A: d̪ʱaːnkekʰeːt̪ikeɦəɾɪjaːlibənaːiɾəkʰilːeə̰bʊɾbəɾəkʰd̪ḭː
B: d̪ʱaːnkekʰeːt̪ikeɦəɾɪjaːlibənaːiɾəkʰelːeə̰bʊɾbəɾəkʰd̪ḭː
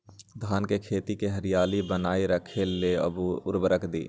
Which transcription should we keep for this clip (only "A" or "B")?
B